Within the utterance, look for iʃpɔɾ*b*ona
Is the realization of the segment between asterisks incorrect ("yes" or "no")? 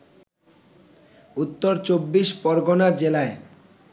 yes